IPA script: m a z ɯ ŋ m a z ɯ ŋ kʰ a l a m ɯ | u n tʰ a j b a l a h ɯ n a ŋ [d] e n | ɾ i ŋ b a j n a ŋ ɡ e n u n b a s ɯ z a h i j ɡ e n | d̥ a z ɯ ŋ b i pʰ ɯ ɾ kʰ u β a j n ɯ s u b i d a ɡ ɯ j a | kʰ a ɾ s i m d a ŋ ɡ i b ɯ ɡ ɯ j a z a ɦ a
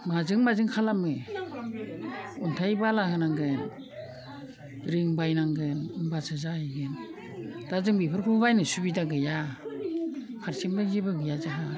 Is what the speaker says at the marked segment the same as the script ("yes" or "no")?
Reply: no